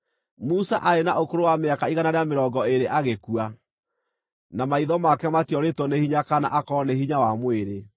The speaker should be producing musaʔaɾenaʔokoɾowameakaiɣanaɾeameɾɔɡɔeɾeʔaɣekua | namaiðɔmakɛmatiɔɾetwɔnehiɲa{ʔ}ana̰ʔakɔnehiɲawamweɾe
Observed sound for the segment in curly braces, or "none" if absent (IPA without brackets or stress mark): k